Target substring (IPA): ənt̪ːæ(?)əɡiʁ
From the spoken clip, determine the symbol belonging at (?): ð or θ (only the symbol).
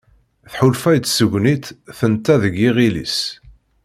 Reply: ð